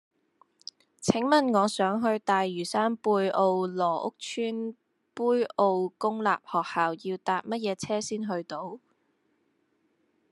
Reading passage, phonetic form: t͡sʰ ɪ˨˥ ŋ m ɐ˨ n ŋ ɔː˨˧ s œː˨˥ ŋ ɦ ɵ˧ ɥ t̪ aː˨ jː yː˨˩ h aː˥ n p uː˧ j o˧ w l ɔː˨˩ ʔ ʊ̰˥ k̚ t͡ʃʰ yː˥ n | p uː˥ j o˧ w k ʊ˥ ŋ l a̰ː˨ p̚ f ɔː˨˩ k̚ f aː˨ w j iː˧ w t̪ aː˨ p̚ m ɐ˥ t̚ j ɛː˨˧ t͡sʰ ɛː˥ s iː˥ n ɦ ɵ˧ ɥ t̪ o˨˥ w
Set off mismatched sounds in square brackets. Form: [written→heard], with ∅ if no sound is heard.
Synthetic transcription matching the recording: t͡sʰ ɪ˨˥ ŋ m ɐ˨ n ŋ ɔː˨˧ s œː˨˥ ŋ ɦ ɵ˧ ɥ t̪ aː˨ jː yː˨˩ [h→s] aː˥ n p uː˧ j o˧ w l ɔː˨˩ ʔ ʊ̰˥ k̚ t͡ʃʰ yː˥ n | p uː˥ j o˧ w k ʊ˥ ŋ l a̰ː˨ p̚ [f→h] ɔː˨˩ k̚ [f→h] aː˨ w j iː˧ w t̪ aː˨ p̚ m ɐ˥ t̚ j ɛː˨˧ t͡sʰ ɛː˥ s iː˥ n ɦ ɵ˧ ɥ t̪ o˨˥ w